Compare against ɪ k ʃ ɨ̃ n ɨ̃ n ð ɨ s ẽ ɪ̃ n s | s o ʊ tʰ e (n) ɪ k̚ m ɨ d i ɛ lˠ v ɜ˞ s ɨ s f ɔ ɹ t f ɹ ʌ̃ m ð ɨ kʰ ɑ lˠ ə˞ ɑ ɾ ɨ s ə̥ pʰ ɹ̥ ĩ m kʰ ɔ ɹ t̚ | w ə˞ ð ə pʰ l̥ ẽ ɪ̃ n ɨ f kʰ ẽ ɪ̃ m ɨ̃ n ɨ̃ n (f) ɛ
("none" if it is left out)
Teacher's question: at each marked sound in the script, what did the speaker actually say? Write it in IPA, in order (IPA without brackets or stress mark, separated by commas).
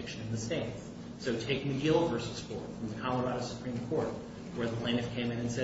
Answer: none, s